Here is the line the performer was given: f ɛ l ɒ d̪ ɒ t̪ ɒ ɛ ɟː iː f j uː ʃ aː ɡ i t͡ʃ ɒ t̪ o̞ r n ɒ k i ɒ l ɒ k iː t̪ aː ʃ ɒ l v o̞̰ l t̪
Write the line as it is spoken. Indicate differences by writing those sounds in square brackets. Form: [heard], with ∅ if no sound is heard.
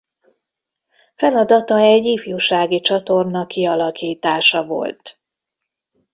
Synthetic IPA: f ɛ l ɒ d̪ ɒ t̪ ɒ ɛ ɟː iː f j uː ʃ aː ɡ i t͡ʃ ɒ t̪ o̞ r n ɒ k i ɒ l ɒ k iː t̪ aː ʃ ɒ [∅] v o̞̰ l t̪